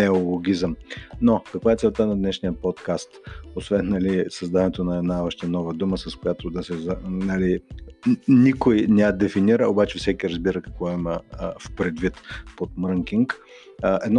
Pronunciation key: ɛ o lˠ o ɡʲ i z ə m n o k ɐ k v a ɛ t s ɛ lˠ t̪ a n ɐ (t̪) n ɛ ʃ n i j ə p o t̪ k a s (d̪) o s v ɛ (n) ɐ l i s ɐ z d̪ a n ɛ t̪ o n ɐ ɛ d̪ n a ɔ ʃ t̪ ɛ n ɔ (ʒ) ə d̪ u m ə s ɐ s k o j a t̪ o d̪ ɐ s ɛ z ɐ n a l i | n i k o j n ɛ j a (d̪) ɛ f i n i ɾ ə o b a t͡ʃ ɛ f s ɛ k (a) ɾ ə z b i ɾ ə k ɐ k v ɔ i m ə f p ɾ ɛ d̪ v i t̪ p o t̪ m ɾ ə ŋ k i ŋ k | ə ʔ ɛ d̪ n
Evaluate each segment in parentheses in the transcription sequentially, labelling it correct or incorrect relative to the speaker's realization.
incorrect: d̪, incorrect: t̪, incorrect: nː, incorrect: v, correct, incorrect: i

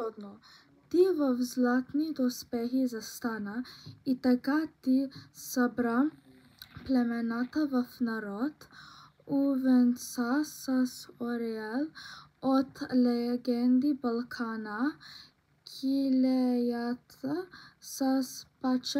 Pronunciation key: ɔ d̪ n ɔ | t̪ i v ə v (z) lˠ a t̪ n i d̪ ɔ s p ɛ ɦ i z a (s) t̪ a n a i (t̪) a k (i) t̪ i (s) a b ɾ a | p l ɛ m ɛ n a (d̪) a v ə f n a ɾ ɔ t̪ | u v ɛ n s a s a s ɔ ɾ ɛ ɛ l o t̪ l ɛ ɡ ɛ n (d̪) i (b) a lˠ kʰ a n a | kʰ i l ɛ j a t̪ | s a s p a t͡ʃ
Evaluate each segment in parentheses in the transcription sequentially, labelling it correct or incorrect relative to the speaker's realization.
correct, correct, correct, incorrect: a, correct, incorrect: t̪, correct, correct

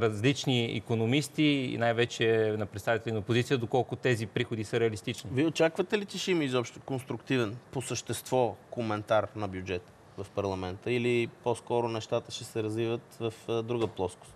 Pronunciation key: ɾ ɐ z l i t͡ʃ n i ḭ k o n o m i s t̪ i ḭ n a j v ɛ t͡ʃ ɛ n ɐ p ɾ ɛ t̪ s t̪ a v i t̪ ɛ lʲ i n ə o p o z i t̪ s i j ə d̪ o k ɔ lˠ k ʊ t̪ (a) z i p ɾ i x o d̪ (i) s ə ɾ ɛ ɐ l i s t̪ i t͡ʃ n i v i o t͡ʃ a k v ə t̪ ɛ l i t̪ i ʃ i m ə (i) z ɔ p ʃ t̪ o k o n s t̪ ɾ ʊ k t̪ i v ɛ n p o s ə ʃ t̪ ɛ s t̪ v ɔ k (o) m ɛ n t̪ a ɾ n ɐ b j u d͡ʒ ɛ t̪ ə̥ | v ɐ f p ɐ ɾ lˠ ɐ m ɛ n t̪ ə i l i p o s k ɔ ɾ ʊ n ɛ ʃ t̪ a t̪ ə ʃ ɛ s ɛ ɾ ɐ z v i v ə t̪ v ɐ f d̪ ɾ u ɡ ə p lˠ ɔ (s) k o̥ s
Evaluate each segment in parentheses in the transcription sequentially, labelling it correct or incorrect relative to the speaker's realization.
incorrect: ɛ, correct, correct, correct, correct

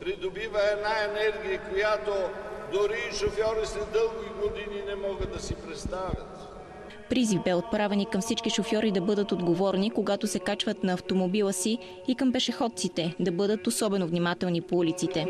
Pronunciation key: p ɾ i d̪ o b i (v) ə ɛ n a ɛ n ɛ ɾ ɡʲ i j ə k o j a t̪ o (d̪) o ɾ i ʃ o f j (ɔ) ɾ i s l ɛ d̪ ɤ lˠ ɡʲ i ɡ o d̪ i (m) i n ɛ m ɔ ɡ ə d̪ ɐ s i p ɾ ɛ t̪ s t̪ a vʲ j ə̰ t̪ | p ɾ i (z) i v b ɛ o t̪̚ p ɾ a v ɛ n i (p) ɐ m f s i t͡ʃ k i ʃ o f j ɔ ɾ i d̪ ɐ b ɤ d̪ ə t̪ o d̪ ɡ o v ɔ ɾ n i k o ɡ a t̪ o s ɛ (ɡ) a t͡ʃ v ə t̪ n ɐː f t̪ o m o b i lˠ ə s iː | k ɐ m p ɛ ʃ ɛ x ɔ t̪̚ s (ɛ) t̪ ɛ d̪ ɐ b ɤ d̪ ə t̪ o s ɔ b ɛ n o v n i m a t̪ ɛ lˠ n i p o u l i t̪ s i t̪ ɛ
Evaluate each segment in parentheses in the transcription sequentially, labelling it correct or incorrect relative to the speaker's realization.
correct, correct, correct, incorrect: n, correct, incorrect: k, incorrect: k, incorrect: i

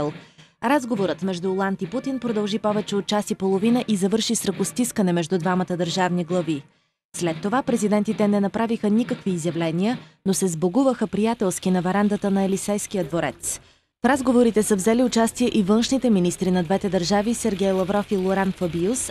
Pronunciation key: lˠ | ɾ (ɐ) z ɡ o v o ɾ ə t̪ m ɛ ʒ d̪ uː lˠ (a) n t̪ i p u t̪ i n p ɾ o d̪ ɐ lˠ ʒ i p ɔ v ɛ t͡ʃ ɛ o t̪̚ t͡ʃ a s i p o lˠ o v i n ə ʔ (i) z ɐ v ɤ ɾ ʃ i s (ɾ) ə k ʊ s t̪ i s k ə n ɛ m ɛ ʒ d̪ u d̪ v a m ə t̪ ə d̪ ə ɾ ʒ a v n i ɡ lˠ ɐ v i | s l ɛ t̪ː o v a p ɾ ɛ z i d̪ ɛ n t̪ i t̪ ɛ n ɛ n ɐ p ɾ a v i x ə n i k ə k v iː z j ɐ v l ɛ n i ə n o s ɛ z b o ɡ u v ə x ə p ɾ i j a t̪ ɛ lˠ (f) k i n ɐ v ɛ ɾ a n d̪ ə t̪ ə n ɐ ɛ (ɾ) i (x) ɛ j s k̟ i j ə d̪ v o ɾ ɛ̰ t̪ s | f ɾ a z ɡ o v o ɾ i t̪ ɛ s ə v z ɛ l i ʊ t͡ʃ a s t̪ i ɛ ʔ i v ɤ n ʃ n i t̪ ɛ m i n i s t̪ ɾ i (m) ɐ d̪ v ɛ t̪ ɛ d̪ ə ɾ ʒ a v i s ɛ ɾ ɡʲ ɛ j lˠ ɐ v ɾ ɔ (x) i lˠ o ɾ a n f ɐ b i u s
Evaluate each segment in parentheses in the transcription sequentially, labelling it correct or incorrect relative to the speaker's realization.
incorrect: a, correct, correct, correct, incorrect: s, incorrect: l, incorrect: s, incorrect: n, incorrect: f

